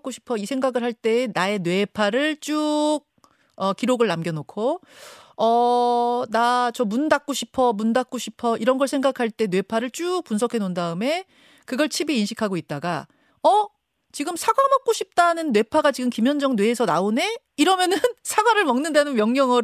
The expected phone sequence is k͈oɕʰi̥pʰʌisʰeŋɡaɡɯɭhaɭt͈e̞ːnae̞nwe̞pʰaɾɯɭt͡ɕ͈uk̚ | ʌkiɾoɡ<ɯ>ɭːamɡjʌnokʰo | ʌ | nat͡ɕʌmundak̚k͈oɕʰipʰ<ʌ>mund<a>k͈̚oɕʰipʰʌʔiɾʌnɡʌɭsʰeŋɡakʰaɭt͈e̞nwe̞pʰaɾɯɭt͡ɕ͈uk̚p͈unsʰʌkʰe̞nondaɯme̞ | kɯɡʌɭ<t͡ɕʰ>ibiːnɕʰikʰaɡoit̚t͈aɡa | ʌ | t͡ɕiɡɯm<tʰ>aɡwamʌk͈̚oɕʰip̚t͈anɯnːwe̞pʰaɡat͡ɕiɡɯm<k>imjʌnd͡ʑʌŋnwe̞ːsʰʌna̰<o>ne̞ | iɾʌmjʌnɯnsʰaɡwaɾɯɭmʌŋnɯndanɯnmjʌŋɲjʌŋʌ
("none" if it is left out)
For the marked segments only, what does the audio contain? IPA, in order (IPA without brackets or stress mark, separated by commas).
ɯ, ʌ, a, t͡ɕʰ, sʰ, k, o